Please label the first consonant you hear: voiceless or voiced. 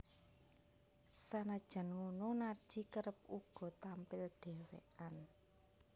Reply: voiceless